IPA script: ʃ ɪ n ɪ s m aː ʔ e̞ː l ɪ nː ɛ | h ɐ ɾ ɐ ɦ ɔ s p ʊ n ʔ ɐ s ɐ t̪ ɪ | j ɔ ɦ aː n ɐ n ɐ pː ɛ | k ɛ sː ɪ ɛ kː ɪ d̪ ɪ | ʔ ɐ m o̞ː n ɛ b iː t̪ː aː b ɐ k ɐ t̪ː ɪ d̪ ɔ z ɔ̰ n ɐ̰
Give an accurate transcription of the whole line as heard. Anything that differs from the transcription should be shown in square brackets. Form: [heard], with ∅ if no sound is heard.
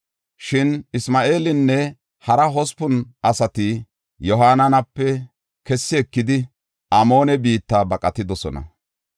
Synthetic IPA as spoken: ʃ ɪ n ɪ s m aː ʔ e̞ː l ɪ nː ɛ | h ɐ ɾ ɐ ɦ ɔ s p ʊ n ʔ ɐ s ɐ t̪ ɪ | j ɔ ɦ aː n ɐ n ɐ pː ɛ | k ɛ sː ɪ ɛ kː ɪ d̪ ɪ | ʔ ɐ m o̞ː n ɛ b iː t̪ː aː b ɐ [kʼ] ɐ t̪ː ɪ d̪ ɔ [s] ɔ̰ n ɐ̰